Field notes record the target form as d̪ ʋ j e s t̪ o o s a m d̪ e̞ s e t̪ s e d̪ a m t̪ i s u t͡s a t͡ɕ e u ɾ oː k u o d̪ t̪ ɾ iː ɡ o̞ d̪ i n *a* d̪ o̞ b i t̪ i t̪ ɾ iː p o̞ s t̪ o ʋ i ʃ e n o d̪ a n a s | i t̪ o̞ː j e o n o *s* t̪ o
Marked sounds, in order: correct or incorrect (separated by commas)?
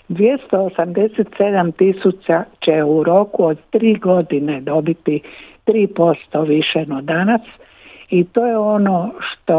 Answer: incorrect, incorrect